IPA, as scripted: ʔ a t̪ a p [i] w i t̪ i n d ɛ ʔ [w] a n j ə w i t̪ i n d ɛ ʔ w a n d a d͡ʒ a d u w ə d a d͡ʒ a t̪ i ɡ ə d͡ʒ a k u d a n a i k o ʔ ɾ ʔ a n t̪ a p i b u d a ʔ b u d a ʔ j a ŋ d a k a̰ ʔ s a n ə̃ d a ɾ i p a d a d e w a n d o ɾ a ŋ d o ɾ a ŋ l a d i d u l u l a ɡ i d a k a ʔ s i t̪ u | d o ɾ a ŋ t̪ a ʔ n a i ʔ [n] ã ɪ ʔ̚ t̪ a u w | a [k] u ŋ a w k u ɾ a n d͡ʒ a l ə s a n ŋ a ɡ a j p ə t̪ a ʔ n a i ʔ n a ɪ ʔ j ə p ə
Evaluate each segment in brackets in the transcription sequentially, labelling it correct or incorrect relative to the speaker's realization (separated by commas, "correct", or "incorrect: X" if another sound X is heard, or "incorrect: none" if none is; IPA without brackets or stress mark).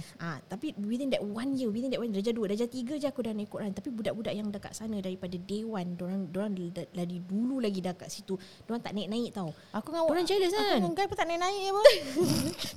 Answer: correct, correct, correct, correct